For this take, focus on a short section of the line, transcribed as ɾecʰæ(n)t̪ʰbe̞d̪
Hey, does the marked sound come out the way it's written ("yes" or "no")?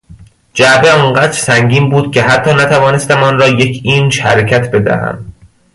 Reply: no